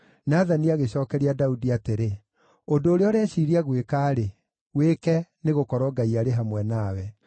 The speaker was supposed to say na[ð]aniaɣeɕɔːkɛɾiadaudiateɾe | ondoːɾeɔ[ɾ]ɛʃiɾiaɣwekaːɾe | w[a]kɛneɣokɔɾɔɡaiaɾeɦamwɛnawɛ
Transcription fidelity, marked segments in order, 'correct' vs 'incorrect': correct, correct, incorrect

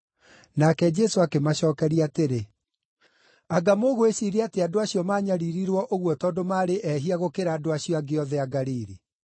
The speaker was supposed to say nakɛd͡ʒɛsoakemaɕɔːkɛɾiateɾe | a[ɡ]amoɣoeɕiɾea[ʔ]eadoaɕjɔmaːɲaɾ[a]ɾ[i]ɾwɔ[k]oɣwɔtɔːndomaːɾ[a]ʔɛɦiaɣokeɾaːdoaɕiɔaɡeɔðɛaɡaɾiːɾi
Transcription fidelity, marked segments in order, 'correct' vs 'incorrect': correct, incorrect, incorrect, correct, incorrect, incorrect

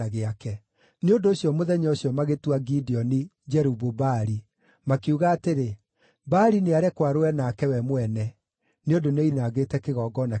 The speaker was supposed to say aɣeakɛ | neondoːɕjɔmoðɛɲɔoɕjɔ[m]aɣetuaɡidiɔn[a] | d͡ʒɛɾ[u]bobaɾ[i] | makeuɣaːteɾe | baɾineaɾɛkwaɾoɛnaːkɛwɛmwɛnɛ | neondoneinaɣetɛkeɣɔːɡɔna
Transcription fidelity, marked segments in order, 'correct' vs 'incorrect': correct, incorrect, correct, correct

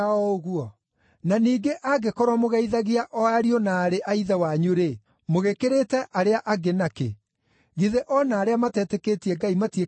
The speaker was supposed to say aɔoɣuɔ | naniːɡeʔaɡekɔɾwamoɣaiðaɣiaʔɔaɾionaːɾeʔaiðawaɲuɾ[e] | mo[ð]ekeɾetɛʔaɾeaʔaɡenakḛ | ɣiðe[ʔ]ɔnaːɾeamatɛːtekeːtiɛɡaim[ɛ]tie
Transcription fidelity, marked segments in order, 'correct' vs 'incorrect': correct, incorrect, correct, incorrect

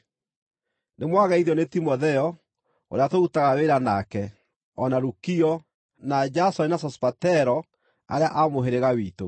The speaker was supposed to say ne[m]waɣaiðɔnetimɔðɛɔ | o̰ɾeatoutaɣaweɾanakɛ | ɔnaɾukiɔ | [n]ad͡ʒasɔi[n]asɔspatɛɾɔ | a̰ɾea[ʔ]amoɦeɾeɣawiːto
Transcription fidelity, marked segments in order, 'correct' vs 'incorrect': correct, correct, correct, correct

